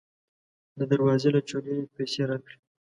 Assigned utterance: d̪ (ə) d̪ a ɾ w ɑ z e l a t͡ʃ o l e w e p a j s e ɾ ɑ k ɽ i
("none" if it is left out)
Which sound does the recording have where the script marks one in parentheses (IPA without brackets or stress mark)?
ə